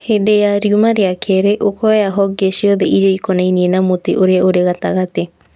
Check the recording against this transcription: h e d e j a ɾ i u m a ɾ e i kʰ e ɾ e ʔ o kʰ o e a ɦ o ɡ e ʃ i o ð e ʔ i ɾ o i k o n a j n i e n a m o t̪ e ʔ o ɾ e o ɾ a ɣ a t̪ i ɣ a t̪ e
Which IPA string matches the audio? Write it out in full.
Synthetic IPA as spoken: h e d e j a ɾ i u m a ɾ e a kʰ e ɾ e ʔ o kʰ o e a ɦ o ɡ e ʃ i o ð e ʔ i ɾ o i k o n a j n i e n a m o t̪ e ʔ o ɾ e o ɾ e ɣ a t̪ a ɣ a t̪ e